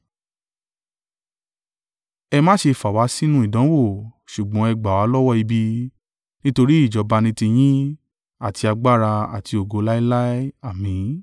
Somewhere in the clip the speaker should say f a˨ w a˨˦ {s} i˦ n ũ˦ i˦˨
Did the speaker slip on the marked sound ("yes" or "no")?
no